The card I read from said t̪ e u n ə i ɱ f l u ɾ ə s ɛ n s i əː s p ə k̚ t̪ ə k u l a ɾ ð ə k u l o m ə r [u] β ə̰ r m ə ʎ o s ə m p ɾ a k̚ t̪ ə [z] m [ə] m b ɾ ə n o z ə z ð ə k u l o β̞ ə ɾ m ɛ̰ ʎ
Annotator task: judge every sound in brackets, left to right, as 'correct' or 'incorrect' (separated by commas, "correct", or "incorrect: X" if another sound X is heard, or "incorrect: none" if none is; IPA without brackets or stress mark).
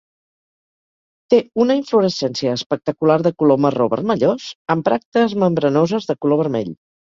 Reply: incorrect: o, correct, correct